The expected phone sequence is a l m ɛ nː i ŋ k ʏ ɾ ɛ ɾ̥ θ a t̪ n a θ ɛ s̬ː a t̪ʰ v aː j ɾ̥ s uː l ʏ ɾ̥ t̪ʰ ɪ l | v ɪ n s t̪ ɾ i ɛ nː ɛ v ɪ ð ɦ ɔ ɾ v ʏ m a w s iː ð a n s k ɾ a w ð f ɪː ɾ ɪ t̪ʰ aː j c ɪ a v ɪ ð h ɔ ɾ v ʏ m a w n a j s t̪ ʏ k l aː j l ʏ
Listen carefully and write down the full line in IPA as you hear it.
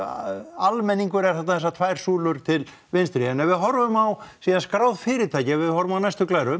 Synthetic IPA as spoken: a l m ɛ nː i ŋ k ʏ ɾ ɛ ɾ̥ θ a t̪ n a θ ɛ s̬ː a t̪ʰ v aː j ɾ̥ s uː l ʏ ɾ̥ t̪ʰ ɪ l | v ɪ n s t̪ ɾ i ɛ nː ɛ v ɪ ð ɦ ɔ ɾ v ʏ m a w s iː ð a n s k ɾ a w ð f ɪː ɾ ɪ t̪ʰ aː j c ɪ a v ɪ ð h ɔ ɾ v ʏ m a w n a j s t̪ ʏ k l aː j ɾ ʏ

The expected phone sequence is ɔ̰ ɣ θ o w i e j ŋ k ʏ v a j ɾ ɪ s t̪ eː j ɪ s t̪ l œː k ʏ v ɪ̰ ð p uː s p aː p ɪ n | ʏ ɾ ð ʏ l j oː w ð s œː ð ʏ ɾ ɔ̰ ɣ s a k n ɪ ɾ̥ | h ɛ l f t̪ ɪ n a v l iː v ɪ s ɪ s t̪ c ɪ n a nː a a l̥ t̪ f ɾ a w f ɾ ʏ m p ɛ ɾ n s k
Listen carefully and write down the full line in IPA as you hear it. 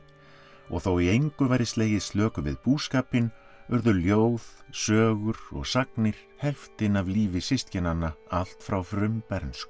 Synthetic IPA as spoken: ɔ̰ ɣ θ o w i e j ŋ k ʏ v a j ɾ ɪ s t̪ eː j ɪ s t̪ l œː k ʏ v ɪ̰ ð p uː s k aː p ɪ n | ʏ ɾ ð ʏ l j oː w ð s œː ɣ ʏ ɾ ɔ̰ ɣ s a k n ɪ ɾ̥ | h ɛ l f t̪ ɪ n a v l iː v ɪ s ɪ s t̪ c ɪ n a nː a a l̥ t̪ f ɾ a w f ɾ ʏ m p ɛ ɾ n s k

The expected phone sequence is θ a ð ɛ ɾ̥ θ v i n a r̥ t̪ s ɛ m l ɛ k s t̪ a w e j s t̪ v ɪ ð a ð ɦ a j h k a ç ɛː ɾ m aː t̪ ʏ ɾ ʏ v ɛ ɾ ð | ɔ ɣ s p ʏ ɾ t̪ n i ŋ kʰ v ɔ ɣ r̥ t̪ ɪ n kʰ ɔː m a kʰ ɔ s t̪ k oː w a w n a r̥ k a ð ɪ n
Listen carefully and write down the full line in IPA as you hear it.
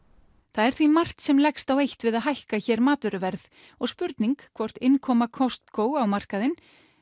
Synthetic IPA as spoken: θ a ð ɛ ɾ̥ θ v i m a r̥ t̪ s ɛ m l ɛ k s t̪ a w e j h t̪ v ɪ ð a ð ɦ a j h k a ç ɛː ɾ m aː t̪ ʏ ɾ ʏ v ɛ ɾ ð | ɔ ɣ s p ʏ ɾ t̪ n i ŋ kʰ v ɔ r̥ t̪ ɪ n kʰ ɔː m a kʰ ɔ s t̪ k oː w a w m a r̥ k a ð ɪ n

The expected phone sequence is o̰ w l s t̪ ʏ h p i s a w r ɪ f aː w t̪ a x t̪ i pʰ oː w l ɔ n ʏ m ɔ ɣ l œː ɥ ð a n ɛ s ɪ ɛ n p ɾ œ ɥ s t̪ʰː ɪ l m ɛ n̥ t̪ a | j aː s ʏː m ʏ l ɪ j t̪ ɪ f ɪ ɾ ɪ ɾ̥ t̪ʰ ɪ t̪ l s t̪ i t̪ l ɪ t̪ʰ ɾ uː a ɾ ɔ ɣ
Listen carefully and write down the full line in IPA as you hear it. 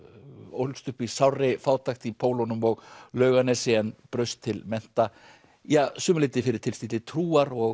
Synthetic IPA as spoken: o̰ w l s t̪ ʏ h p i s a w r ɪ f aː w t̪ a x t̪ i pʰ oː w l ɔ n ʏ m ɔ ɣ l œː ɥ ɣ a n ɛ s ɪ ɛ n p ɾ œ ɥ s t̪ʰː ɪ l m ɛ n̥ t̪ a | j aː s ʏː m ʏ l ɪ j t̪ ɪ f ɪ ɾ ɪ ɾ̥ t̪ʰ ɪ l s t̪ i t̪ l ɪ t̪ʰ ɾ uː a ɾ ɔ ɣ

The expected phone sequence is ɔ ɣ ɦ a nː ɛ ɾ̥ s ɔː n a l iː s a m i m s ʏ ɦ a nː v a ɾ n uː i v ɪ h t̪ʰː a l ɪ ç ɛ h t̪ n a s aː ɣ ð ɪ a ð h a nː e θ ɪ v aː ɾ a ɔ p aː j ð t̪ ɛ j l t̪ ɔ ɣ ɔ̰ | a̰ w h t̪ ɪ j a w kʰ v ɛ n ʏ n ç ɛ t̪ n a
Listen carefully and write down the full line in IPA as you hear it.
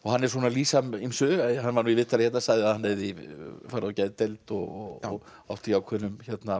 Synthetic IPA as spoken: ɔ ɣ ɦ a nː ɛ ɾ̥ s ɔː n a l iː s a m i m s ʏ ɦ a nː v a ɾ n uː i v ɪ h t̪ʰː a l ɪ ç ɛ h t̪ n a s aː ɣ ð ɪ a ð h a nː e ð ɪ f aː ɾ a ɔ c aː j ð t̪ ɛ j l t̪ ɔ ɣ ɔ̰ | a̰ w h t̪ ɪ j a w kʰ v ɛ n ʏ m ç ɛ t̪ n a

